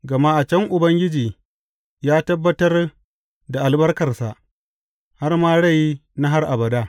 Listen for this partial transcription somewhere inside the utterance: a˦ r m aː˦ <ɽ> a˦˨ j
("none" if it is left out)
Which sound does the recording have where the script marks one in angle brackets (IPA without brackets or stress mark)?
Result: ɽ